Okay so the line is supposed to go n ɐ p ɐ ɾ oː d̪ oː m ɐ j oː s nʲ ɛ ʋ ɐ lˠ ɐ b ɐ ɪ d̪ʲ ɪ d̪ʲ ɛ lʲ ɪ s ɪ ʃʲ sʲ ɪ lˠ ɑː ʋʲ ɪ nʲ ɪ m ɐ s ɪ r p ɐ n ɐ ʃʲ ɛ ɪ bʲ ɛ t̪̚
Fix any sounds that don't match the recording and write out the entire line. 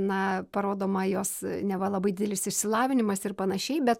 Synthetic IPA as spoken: n ɐ p ɐ ɾ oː d̪ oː m ɐ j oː s nʲ ɛ ʋ ɐ lˠ ɐ b ɐ ɪ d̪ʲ ɪ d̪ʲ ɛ lʲ ɪ s ɪ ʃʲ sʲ ɪ lˠ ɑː ʋʲ ɪ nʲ ɪ m ɐ s ɪ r p ɐ n ɐ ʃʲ ɛ ɪ bʲ ɛ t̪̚

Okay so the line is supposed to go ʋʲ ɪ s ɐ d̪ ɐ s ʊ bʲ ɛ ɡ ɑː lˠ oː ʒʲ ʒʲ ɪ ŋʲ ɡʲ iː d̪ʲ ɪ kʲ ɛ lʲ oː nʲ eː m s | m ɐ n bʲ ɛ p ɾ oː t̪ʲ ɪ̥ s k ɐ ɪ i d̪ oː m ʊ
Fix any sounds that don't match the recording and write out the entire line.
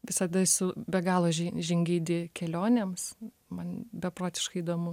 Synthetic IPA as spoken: ʋʲ ɪ s ɐ d̪ ɐ s ʊ bʲ ɛ ɡ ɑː lˠ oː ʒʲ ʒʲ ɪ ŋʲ ɡʲ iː d̪ʲ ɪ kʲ ɛ lʲ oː nʲ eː m s | m ɐ n bʲ ɛ p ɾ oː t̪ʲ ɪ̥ ʃ k ɐ ɪ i d̪ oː m ʊ

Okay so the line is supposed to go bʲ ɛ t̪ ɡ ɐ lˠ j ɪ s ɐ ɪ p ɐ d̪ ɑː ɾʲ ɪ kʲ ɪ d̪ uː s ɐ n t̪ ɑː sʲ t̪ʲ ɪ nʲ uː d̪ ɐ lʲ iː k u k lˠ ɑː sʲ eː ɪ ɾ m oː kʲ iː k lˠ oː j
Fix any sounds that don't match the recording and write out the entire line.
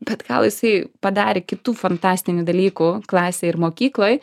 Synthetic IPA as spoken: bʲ ɛ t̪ ɡ ɐ lˠ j ɪ s ɐ ɪ p ɐ d̪ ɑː ɾʲ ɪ kʲ ɪ t̪ uː f ɐ n t̪ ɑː sʲ t̪ʲ ɪ nʲ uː d̪ ɐ lʲ iː k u k lˠ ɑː sʲ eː ɪ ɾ m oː kʲ iː k lˠ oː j

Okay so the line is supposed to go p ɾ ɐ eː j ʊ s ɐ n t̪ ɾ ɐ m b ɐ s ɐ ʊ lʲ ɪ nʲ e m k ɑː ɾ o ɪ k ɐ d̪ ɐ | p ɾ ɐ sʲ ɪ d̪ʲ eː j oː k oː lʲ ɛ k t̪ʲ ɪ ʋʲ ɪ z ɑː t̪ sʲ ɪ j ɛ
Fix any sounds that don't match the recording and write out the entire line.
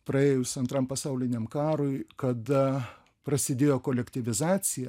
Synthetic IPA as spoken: p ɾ ɐ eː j ʊ s ɐ n t̪ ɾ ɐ m p ɐ s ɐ ʊ lʲ ɪ nʲ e m k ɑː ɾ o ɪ k ɐ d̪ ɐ | p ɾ ɐ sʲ ɪ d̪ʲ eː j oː k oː lʲ ɛ k t̪ʲ ɪ ʋʲ ɪ z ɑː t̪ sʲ ɪ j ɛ

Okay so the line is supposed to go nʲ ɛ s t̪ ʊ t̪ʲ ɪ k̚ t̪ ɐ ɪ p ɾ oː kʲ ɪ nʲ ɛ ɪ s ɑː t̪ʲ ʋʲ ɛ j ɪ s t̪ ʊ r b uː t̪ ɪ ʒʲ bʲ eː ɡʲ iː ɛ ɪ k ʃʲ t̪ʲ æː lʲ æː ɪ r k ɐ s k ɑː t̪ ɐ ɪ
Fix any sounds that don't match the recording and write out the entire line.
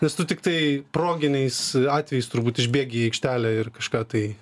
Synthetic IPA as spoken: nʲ ɛ s t̪ ʊ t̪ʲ ɪ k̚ t̪ ɐ ɪ p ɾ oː ɡʲ ɪ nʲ ɛ ɪ s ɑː t̪ʲ ʋʲ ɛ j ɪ s t̪ ʊ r b uː t̪ ɪ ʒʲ bʲ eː ɡʲ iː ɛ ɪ k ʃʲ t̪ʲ æː lʲ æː ɪ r k ɐ ʃ k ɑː t̪ ɐ ɪ

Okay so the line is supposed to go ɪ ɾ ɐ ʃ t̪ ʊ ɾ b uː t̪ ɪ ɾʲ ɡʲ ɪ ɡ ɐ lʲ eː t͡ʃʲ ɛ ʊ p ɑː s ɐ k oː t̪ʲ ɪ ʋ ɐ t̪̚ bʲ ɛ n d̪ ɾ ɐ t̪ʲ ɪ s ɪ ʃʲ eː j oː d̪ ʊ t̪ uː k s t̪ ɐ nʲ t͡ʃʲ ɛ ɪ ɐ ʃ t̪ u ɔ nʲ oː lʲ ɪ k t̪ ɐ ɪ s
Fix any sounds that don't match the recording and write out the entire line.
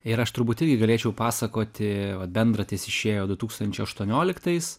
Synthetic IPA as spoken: ɪ ɾ ɐ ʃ t̪ ʊ ɾ b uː t̪ ɪ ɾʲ ɡʲ ɪ ɡ ɐ lʲ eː t͡ʃʲ ɛ ʊ p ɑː s ɐ k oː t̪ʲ ɪ ʋ ɐ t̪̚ bʲ ɛ n d̪ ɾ ɐ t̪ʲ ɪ s ɪ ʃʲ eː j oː d̪ ʊ t̪ uː k s t̪ ɐ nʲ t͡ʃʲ ɛ ɪ ɐ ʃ t̪ u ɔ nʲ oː lʲ ɪ k t̪ ɐ ɪ s

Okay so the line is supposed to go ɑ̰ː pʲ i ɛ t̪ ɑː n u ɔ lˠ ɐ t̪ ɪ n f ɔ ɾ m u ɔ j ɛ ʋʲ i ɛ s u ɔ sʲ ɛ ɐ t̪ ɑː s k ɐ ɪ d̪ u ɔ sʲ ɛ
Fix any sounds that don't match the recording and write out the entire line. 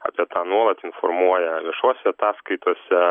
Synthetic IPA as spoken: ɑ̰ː pʲ i ɛ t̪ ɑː n u ɔ lˠ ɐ t̪ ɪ n f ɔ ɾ m u ɔ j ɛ ʋʲ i ɛ ʃ u ɔ sʲ ɛ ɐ t̪ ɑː s k ɐ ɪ t̪ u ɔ sʲ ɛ

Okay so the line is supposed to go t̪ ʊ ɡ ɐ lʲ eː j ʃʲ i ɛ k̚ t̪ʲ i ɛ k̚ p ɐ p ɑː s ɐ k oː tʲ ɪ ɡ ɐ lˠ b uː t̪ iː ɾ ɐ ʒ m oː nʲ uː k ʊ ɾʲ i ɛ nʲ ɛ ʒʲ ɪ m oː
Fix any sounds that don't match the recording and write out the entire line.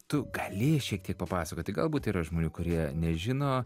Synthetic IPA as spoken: t̪ ʊ ɡ ɐ lʲ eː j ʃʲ i ɛ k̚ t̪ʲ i ɛ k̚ p ɐ p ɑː s ɐ k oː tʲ ɪ ɡ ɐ lˠ b uː t̪ iː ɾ ɐ ʒ m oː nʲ uː k ʊ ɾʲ i ɛ nʲ ɛ ʒʲ ɪ n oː

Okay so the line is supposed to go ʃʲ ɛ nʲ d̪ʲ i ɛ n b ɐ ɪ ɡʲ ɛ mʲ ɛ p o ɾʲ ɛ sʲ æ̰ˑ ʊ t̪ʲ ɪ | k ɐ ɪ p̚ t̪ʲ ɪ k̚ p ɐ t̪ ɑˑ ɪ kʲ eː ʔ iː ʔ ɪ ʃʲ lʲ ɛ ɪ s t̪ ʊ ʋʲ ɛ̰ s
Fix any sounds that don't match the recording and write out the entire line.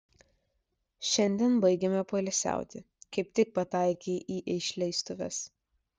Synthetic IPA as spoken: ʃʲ ɛ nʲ d̪ʲ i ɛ n b ɐ ɪ ɡʲ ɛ mʲ ɛ p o lʲ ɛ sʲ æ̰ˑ ʊ t̪ʲ ɪ | k ɐ ɪ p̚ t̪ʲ ɪ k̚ p ɐ t̪ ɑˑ ɪ kʲ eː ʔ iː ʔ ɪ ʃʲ lʲ ɛ ɪ s t̪ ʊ ʋʲ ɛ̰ s

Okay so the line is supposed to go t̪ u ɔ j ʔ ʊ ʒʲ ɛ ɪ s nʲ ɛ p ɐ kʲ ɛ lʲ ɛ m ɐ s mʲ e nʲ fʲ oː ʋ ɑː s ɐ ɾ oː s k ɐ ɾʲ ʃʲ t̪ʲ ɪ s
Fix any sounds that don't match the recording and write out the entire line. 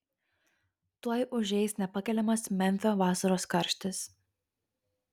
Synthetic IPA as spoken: t̪ u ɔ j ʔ ʊ ʒʲ ɛ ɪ s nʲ ɛ p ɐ kʲ ɛ lʲ ɛ m ɐ s mʲ ɛ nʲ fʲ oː ʋ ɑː s ɐ ɾ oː s k ɐ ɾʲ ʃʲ t̪ʲ ɪ s

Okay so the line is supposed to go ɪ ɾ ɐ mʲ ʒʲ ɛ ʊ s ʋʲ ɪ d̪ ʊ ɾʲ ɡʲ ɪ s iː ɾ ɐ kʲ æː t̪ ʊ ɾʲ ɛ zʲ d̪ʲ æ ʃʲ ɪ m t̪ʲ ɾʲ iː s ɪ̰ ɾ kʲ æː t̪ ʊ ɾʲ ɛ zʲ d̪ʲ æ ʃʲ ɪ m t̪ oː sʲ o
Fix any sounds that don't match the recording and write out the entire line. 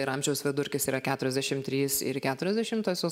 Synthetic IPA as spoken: ɪ ɾ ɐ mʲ ʒʲ ɛ ʊ s ʋʲ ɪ d̪ ʊ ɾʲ kʲ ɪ s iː ɾ ɐ kʲ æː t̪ ʊ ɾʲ ɛ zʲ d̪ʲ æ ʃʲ ɪ m t̪ʲ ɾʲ iː s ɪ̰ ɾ kʲ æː t̪ ʊ ɾʲ ɛ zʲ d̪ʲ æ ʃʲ ɪ m t̪ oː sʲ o

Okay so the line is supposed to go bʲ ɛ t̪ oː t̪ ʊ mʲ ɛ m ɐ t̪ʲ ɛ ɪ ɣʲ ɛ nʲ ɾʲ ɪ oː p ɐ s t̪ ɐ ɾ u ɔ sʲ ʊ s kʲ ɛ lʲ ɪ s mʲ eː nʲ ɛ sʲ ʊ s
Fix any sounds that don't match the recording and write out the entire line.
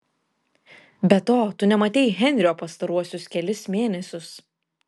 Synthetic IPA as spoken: bʲ ɛ t̪ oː t̪ ʊ nʲ ɛ m ɐ t̪ʲ ɛ ɪ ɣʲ ɛ nʲ ɾʲ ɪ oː p ɐ s t̪ ɐ ɾ u ɔ sʲ ʊ s kʲ ɛ lʲ ɪ s mʲ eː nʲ ɛ sʲ ʊ s

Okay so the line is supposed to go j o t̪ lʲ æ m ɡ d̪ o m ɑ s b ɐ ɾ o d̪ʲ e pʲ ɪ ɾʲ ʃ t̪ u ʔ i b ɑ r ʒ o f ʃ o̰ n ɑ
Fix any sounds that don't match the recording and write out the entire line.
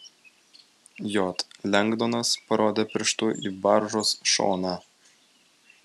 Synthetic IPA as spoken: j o t̪ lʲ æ ŋ ɡ d̪ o n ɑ s p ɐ ɾ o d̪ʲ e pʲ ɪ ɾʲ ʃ t̪ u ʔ i b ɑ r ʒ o s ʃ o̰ n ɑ

